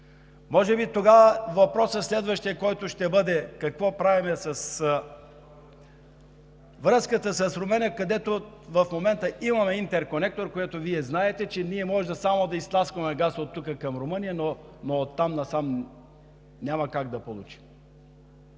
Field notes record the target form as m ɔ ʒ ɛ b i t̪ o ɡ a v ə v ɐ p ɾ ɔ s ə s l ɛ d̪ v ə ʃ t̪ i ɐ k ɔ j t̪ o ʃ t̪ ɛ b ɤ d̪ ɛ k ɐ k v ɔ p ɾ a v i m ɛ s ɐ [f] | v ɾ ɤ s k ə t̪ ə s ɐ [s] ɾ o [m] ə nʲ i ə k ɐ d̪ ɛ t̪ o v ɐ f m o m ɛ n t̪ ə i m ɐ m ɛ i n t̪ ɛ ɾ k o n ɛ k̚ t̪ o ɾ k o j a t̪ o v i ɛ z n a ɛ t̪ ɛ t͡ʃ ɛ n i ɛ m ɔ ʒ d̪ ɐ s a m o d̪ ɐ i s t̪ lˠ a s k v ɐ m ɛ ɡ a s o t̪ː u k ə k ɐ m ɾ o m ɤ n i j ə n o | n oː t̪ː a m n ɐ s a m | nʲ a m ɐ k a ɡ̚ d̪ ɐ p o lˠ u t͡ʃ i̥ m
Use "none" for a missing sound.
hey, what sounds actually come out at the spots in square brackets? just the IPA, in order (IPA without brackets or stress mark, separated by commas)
s, s, m